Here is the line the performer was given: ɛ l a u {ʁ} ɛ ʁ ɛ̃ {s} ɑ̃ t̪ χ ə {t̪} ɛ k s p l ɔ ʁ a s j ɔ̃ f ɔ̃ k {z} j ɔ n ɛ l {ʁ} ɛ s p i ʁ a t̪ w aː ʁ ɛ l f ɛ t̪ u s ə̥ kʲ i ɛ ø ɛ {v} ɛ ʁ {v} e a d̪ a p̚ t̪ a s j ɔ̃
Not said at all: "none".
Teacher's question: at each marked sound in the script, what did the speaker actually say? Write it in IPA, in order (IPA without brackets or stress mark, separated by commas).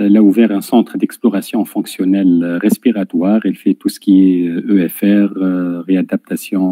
v, s, d̪, s, ʁ, f, ʁ